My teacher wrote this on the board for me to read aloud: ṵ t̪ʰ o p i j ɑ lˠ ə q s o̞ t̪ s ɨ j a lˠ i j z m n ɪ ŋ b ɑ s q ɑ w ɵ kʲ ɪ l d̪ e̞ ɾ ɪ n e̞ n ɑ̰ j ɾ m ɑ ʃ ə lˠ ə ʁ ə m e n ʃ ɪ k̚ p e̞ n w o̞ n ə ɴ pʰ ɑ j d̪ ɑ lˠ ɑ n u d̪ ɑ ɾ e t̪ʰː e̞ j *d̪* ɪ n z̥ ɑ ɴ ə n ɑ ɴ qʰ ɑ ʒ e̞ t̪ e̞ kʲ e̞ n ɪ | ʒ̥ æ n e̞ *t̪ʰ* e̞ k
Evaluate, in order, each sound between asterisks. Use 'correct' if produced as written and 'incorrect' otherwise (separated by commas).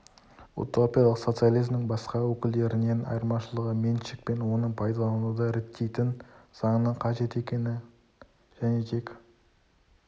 incorrect, correct